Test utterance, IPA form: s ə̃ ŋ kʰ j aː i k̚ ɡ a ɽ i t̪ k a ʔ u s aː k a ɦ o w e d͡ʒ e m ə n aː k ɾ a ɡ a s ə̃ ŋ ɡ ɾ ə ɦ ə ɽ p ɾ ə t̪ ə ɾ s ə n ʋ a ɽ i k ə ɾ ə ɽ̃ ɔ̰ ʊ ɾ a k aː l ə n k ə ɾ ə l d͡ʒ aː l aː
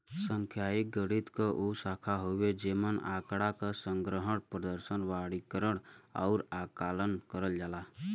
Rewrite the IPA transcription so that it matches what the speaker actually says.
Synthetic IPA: s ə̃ ŋ kʰ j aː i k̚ ɡ ə ɽ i t̪ k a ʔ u s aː kʰ a ɦ o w e d͡ʒ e m ə n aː k ɽ a k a s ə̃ ŋ ɡ ɾ ə ɦ ə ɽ p ɾ ə d̪ ə ɾ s ə n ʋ a ɽ i k ə ɾ ə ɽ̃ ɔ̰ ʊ ɾ a k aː l ə n k ə ɾ ə l d͡ʒ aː l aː